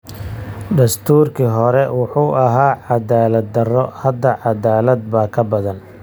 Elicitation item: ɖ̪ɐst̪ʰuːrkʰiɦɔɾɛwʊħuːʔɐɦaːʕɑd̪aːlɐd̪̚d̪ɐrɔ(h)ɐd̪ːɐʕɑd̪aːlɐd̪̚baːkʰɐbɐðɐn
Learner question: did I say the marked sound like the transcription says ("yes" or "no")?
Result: yes